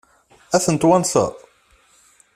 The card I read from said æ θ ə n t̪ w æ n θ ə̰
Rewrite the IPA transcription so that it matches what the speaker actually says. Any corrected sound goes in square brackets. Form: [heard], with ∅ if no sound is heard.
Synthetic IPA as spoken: æ θ ə n t̪ w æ n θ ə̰